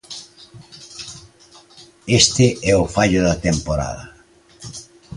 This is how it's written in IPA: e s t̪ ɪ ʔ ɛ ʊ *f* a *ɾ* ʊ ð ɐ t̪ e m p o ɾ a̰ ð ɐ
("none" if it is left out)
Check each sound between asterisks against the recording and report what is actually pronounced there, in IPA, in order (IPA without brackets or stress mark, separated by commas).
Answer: f, ʎ